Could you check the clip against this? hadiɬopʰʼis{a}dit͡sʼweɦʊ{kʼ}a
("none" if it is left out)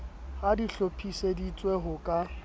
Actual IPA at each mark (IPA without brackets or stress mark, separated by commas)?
e, kʼ